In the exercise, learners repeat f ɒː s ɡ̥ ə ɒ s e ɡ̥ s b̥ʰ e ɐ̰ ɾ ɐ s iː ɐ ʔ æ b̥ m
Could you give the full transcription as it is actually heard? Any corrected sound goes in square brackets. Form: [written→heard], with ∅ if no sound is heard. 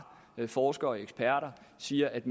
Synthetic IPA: f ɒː s ɡ̥ [ə→ɐ] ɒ [s→∅] e ɡ̥ s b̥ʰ [e→æ] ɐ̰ ɾ ɐ s iː ɐ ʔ æ [b̥→d̥] m